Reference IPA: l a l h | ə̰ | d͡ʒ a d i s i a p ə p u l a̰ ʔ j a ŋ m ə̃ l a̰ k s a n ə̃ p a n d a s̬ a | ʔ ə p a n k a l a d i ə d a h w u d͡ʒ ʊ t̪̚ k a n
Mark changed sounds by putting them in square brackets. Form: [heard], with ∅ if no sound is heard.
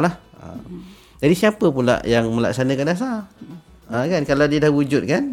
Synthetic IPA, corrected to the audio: l a [∅] h | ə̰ | d͡ʒ a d i s i a p ə p u l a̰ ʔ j a ŋ m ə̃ l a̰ k s a n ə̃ [k] a n d a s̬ a | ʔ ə [k] a n k a l a d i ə d a h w u d͡ʒ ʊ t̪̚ k a n